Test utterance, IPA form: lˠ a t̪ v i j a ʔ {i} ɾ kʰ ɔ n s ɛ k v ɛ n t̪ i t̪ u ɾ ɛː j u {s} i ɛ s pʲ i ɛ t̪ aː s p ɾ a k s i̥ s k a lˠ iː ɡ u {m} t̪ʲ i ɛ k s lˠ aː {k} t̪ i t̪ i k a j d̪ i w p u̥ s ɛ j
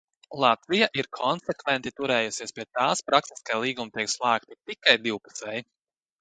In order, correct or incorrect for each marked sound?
correct, correct, correct, correct

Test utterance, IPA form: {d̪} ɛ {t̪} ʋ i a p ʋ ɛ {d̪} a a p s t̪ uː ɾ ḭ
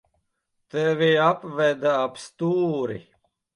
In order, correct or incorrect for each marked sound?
incorrect, incorrect, correct

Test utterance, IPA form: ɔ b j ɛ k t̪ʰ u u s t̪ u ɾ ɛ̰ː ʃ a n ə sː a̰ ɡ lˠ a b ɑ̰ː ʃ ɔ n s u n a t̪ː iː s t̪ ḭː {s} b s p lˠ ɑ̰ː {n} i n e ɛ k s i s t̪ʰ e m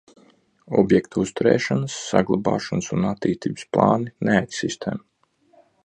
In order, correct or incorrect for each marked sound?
incorrect, correct

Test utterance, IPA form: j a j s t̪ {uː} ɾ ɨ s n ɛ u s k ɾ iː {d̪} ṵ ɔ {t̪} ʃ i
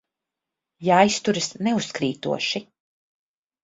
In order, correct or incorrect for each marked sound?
incorrect, incorrect, incorrect

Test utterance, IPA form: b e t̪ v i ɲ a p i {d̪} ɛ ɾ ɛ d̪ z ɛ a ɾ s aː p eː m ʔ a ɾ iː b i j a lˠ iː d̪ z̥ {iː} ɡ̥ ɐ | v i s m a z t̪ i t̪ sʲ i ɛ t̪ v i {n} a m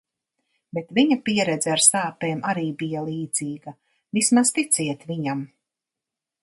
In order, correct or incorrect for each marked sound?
incorrect, correct, incorrect

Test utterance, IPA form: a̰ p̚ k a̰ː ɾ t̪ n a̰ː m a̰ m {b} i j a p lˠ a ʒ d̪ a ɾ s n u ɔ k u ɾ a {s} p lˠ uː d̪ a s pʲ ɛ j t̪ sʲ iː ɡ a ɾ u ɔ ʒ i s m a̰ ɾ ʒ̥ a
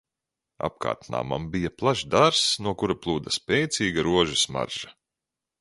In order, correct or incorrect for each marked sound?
correct, incorrect

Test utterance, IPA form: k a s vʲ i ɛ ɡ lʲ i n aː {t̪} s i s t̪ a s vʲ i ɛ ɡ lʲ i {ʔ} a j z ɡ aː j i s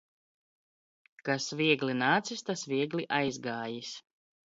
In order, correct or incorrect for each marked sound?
correct, correct

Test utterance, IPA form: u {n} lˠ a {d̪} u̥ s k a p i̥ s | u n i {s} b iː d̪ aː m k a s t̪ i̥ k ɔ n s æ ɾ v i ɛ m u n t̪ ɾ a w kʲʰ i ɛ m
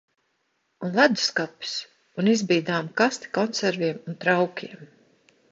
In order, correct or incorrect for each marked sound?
correct, correct, incorrect

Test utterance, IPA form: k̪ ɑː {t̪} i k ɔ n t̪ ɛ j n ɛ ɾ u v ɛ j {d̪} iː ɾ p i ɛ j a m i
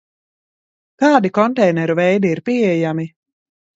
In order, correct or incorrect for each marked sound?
incorrect, correct

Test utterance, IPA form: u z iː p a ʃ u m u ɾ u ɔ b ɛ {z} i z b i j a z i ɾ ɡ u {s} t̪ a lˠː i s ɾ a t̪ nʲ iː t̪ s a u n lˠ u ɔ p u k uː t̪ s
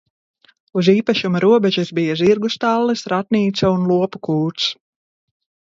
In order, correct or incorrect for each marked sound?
incorrect, correct

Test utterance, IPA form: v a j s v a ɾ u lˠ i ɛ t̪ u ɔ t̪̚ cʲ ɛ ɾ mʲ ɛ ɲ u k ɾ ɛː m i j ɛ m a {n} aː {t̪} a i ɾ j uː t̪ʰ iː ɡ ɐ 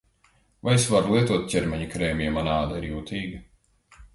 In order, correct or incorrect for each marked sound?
correct, incorrect

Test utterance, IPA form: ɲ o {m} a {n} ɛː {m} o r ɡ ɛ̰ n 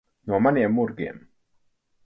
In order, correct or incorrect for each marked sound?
correct, correct, correct

